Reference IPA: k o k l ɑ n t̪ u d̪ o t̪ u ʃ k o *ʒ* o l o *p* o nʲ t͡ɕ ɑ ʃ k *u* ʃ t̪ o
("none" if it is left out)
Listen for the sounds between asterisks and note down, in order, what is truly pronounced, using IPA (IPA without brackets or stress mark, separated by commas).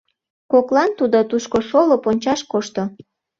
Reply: ʃ, p, o